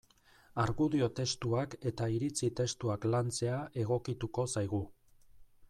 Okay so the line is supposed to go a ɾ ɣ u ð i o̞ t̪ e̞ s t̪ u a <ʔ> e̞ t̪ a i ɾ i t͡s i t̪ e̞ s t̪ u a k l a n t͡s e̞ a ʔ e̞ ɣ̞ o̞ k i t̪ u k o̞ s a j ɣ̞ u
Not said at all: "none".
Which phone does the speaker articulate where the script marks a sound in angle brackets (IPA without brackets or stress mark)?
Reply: k